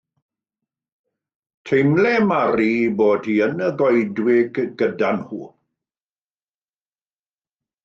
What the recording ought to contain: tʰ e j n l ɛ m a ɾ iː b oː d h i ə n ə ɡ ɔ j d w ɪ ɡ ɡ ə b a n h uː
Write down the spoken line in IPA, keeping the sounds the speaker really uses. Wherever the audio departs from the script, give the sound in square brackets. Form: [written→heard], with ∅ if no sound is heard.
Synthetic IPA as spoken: tʰ e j [n→m] l ɛ m a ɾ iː b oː d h i ə n ə ɡ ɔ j d w ɪ ɡ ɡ ə [b→d] a n h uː